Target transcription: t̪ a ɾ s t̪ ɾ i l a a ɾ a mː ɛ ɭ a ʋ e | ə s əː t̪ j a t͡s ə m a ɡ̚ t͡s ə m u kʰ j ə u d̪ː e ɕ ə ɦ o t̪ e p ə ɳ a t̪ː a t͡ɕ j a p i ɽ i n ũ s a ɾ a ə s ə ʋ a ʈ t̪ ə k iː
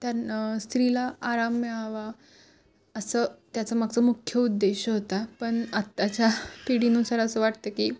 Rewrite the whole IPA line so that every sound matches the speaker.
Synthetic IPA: t̪ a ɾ s t̪ ɾ i l a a ɾ a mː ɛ ɭ a ʋ a | ə s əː t̪ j a t͡s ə m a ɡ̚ t͡s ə m u kʰ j ə u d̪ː e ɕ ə ɦ o t̪ a p ə ɳ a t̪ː a t͡ɕ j a p i ɽ i n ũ s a ɾ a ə s ə ʋ a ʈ t̪ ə k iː

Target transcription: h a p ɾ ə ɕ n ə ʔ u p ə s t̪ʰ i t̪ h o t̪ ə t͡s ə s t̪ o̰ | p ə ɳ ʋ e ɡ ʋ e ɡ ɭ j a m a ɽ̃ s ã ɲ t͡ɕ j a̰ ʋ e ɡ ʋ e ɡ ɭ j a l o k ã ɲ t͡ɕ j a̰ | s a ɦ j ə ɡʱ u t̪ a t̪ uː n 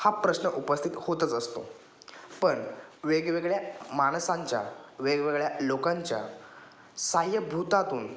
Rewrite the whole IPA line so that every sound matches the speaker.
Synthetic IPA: h a p ɾ ə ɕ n ə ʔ u p ə s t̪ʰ i t̪ h o t̪ ə t͡s ə s t̪ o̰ | p ə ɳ ʋ e ɡ ʋ e ɡ ɭ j a m a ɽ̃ s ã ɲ t͡ɕ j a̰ ʋ e ɡ ʋ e ɡ ɭ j a l o k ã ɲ t͡ɕ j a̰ | s a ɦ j ə bʱ u t̪ a t̪ uː n

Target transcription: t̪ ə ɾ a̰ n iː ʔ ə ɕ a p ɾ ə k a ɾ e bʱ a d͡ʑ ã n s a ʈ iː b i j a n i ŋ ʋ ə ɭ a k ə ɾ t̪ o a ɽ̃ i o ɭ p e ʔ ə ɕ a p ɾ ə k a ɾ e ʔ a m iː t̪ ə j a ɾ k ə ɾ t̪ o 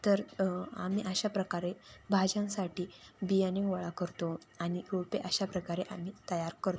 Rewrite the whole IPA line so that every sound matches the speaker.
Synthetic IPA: t̪ ə ɾ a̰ m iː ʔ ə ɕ a p ɾ ə k a ɾ e bʱ a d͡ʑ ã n s a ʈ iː b i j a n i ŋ ʋ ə ɭ a k ə ɾ t̪ o a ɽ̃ i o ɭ p e ʔ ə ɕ a p ɾ ə k a ɾ e ʔ a m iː t̪ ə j a ɾ k ə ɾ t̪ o

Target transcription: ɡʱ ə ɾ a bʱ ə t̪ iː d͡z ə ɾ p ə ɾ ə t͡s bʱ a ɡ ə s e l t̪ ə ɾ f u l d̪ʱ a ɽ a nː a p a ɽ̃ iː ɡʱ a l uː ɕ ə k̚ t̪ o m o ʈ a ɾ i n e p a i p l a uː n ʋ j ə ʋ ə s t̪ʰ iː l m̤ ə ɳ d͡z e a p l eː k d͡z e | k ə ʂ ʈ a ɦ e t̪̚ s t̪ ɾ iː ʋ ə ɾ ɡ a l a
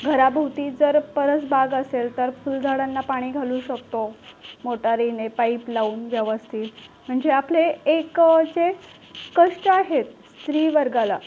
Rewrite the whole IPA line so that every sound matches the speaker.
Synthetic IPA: ɡʱ ə ɾ a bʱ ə t̪ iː d͡z ə ɾ p ə ɾ ə t͡s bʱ a ɡ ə s e l t̪ ə ɾ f u l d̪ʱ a ɽ a nː a p a ɽ̃ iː ɡʱ a l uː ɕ ə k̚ t̪ o m o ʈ a ɾ i n e p a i p l a uː n ʋ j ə ʋ ə s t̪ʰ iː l m̤ ə ɳ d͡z e a p l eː k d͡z e | k ə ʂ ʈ a ɦ e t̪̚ s t̪ ɾ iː ʋ ə ɾ ɡ a l a

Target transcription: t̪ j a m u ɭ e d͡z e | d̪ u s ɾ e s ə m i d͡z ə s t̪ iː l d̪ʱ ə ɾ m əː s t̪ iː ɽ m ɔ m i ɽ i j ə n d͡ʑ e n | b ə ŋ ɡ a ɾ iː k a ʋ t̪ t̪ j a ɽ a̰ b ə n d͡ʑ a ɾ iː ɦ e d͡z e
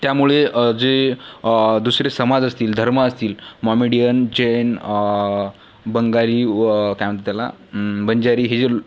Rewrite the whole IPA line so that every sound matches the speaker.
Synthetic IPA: t̪ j a m u ɭ e d͡z e | d̪ u s ɾ e s ə m a d͡z ə s t̪ iː l d̪ʱ ə ɾ m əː s t̪ iː l m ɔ m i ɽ i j ə n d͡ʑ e n | b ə ŋ ɡ a ɾ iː k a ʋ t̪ t̪ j a l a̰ b ə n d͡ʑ a ɾ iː ɦ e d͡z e

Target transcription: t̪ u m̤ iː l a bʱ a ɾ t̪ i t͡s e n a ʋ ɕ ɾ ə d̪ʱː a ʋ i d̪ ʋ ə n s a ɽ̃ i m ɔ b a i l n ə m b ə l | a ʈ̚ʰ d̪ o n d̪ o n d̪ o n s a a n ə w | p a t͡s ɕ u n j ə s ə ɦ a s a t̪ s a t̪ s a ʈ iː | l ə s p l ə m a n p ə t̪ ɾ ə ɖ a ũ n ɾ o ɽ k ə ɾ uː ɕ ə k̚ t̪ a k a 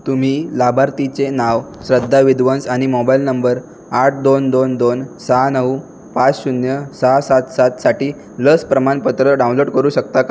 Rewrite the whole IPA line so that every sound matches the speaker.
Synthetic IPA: t̪ u m̤ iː l a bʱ a ɾ t̪ i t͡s e n a ʋ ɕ ɾ ə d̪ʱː a ʋ i d̪ ʋ ə n s a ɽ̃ i m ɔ b a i l n ə m b ə ɾ | a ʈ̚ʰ d̪ o n d̪ o n d̪ o n s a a n ə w | p a t͡s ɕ u n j ə s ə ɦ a s a t̪ s a t̪ s a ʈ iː | l ə s p ɾ ə m a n p ə t̪ ɾ ə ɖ a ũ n l o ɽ k ə ɾ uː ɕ ə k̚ t̪ a k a

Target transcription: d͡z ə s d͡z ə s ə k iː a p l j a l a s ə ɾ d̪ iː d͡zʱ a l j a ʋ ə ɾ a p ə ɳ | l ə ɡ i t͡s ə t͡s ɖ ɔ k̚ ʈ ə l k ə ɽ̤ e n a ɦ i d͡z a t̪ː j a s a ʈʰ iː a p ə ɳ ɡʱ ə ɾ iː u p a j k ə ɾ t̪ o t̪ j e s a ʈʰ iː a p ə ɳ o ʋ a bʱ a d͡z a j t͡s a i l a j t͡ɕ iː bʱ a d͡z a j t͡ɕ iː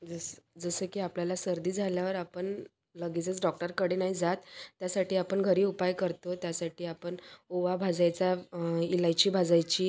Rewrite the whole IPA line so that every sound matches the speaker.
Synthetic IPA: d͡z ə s d͡z ə s ə k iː a p l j a l a s ə ɾ d̪ iː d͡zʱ a l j a ʋ ə ɾ a p ə ɳ | l ə ɡ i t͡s ə t͡s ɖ ɔ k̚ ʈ ə ɾ k ə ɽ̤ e n a ɦ i d͡z a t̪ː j a s a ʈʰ iː a p ə ɳ ɡʱ ə ɾ iː u p a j k ə ɾ t̪ o t̪ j a s a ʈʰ iː a p ə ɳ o ʋ a bʱ a d͡z a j t͡s a i l a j t͡ɕ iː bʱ a d͡z a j t͡ɕ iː

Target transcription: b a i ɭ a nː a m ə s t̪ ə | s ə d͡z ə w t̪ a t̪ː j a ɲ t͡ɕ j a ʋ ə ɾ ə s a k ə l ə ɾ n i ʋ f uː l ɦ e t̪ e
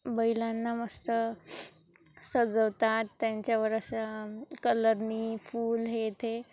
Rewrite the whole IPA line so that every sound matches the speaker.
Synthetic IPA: b ə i l a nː a m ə s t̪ ə | s ə d͡z ə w t̪ a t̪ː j a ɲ t͡ɕ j a ʋ ə ɾ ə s a k ə l ə ɾ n i f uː l ɦ e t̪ e

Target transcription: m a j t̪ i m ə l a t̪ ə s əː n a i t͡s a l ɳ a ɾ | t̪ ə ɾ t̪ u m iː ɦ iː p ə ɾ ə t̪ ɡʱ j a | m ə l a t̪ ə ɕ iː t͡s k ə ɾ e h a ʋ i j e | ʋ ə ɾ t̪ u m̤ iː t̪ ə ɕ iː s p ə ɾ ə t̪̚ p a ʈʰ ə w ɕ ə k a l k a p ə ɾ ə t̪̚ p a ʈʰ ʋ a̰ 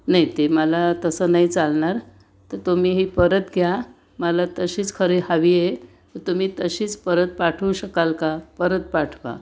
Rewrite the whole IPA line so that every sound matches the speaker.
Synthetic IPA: n a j t̪ e m ə l a t̪ ə s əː n a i t͡s a l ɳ a ɾ | t̪ ə ɾ t̪ u m iː ɦ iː p ə ɾ ə t̪ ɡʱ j a | m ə l a t̪ ə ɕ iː t͡s kʰ ə ɾ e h a ʋ i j e | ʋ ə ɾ t̪ u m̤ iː t̪ ə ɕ iː t͡s p ə ɾ ə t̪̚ p a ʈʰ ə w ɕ ə k a l k a p ə ɾ ə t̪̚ p a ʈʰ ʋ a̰

